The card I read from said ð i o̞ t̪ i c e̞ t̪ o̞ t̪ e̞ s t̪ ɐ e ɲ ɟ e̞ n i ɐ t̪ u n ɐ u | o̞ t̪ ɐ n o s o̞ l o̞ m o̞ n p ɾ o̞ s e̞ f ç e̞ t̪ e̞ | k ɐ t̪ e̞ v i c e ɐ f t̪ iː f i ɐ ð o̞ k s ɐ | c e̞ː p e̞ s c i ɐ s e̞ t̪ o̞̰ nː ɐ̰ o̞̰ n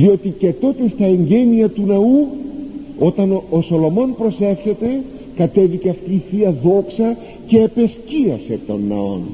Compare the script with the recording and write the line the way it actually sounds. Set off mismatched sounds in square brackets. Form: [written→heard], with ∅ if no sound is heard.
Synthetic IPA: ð i o̞ t̪ i c e̞ t̪ o̞ t̪ e̞ s t̪ ɐ e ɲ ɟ e̞ n i ɐ t̪ u n ɐ u | o̞ t̪ ɐ n o s o̞ l o̞ m o̞ n p ɾ o̞ s e̞ f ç e̞ t̪ e̞ | k ɐ t̪ e̞ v i c e ɐ f t̪ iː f i ɐ ð o̞ k s ɐ | c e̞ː p e̞ s c i ɐ s e̞ t̪ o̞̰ nː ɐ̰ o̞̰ n